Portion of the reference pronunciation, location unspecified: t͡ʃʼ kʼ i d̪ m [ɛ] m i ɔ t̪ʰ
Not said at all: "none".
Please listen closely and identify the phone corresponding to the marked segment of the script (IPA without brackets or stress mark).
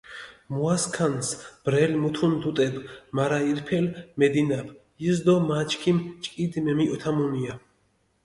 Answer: ɛ